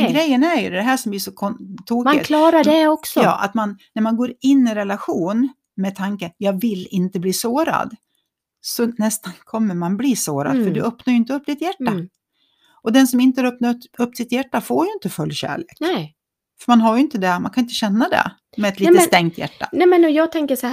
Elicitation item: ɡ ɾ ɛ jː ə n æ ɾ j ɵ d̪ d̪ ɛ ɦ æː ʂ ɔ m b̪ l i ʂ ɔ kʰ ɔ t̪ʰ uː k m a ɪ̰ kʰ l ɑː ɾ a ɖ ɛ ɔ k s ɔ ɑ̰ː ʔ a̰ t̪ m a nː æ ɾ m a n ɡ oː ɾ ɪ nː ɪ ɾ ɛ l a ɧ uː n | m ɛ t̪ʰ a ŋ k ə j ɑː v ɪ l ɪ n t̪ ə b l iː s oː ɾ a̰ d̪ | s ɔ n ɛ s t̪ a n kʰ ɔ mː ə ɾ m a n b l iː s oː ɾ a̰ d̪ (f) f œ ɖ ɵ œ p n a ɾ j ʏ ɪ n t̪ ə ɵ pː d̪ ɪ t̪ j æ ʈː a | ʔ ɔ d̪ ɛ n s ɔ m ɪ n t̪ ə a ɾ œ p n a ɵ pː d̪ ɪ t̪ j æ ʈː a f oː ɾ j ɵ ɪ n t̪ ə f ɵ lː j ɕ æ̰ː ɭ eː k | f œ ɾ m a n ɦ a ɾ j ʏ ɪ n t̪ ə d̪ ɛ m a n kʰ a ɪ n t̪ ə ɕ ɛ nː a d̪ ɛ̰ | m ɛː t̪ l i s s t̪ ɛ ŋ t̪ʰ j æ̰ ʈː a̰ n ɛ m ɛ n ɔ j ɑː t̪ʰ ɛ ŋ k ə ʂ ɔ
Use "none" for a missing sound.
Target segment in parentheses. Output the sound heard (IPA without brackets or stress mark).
f